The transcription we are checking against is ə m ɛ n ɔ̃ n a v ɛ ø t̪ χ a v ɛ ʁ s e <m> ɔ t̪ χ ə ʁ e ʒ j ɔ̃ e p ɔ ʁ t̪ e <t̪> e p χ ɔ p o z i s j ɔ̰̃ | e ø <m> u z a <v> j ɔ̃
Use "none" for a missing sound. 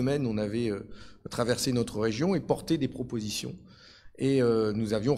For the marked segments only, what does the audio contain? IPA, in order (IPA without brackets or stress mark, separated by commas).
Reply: n, d̪, n, v